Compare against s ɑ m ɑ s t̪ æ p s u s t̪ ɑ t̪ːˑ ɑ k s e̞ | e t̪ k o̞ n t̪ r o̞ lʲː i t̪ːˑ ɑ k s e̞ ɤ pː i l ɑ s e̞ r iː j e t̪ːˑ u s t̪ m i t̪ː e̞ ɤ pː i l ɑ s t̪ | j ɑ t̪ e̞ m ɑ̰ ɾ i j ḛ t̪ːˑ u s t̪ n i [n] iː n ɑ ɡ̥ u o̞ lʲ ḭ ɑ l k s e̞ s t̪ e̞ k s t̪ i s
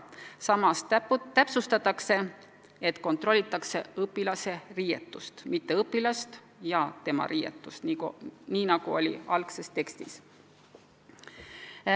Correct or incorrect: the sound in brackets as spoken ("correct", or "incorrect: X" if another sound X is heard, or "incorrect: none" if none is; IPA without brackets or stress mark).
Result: correct